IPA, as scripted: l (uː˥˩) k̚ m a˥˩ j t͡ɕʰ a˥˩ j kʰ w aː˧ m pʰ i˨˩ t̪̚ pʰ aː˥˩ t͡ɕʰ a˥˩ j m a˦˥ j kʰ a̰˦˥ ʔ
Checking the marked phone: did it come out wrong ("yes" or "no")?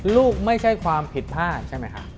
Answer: no